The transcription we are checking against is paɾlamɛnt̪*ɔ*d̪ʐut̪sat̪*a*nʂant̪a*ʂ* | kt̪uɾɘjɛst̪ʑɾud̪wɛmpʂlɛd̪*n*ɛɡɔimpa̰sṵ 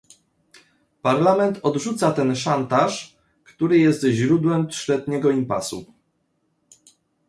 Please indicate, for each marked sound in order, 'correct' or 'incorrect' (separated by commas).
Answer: correct, incorrect, correct, incorrect